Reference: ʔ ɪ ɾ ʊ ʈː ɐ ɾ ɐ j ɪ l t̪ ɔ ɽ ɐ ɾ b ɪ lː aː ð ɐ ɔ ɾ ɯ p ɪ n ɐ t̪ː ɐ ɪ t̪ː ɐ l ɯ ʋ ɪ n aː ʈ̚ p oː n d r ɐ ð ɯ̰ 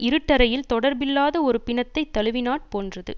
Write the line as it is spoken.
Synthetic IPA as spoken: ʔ ɪ ɾ ɯ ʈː ɐ ɾ ɐ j ɪ l t̪ ɔ ɽ ɐ ɾ b ɪ lː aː ð ɐ ɔ ɾ ɯ p ɪ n ɐ t̪ː ɐ ɪ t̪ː ɐ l ɯ ʋ ɪ n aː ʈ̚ p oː n d r ɐ ð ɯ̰

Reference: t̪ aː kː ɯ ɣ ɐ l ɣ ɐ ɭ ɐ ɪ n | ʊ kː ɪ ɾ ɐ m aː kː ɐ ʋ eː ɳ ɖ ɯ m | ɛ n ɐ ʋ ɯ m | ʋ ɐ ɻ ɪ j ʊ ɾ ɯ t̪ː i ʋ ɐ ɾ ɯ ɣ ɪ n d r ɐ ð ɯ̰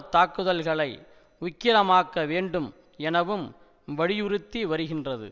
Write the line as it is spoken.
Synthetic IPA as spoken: t̪ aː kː ɯ ð ɐ l ɣ ɐ ɭ ɐ ɪ | ʊ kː ɪ ɾ ɐ m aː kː ɐ ʋ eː ɳ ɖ ɯ m | ɛ n ɐ ʋ ɯ m | ʋ ɐ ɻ ɪ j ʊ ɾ ɯ t̪ː i ʋ ɐ ɾ ɯ ɣ ɪ n d r ɐ ð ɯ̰

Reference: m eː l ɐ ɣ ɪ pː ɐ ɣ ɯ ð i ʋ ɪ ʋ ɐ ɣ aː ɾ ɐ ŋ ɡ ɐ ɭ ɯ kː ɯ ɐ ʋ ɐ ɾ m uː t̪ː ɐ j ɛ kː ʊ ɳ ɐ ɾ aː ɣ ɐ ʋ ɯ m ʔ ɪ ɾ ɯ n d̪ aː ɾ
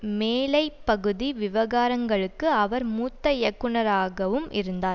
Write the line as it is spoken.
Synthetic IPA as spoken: m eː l ɐ ɪ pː ɐ ɣ ɯ ð i ʋ ɪ ʋ ɐ ɣ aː ɾ ɐ ŋ ɡ ɐ ɭ ɯ kː ɯ ɐ ʋ ɐ ɾ m uː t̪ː ɐ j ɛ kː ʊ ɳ ɐ ɾ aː ɣ ɐ ʋ ɯ m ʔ ɪ ɾ ɯ n d̪ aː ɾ

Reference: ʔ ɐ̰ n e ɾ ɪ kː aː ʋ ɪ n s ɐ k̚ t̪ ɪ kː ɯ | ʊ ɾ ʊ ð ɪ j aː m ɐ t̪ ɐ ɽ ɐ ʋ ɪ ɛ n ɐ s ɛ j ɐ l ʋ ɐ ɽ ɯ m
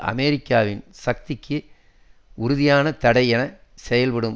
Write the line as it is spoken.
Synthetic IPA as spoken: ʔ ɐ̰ m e ɾ ɪ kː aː ʋ ɪ n s ɐ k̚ t̪ ɪ kː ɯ | ʊ ɾ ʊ ð ɪ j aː n ɐ t̪ ɐ ɽ ɐ ɪ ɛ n ɐ s ɛ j ɐ l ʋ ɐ ɽ ɯ m

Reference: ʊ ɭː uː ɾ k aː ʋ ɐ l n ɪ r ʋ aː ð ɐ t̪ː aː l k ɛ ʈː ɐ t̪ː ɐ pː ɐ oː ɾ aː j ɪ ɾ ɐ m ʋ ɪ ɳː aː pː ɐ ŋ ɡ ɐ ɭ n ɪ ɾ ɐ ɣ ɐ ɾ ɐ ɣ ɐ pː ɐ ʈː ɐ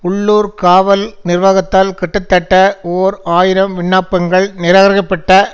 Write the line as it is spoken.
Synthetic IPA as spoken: ʊ ɭː uː ɾ k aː ʋ ɐ l n ɪ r ʋ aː ɣ ɐ t̪ː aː l k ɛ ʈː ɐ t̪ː ɐ ʈː ɐ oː ɾ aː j ɪ ɾ ɐ m ʋ ɪ ɳː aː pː ɐ ŋ ɡ ɐ ɭ n ɪ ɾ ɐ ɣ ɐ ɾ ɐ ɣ ɐ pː ɐ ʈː ɐ

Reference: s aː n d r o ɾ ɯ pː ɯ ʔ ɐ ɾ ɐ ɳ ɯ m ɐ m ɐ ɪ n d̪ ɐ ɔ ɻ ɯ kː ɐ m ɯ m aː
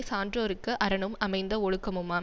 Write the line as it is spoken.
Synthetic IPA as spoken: s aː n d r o ɾ ɯ kː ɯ ʔ ɐ ɾ ɐ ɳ ɯ m ɐ m ɐ ɪ n d̪ ɐ ɔ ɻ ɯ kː ɐ m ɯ m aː

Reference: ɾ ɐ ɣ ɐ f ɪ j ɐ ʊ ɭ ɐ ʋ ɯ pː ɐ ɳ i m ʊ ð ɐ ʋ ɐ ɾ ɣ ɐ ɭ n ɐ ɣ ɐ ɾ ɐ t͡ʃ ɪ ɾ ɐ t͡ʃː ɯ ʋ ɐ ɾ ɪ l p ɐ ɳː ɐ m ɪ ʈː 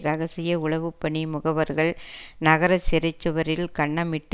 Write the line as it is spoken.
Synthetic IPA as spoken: ɾ ɐ ɣ ɐ s ɪ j ɐ ʊ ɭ ɐ ʋ ɯ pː ɐ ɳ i m ʊ ɣ ɐ ʋ ɐ ɾ ɣ ɐ ɭ n ɐ ɣ ɐ ɾ ɐ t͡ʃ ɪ ɾ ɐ t͡ʃː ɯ ʋ ɐ ɾ ɪ l k ɐ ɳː ɐ m ɪ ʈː

